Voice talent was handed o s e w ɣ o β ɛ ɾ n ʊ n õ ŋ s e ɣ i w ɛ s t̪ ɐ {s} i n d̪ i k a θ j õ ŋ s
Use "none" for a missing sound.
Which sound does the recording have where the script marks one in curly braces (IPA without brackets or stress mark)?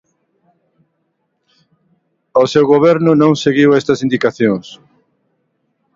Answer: s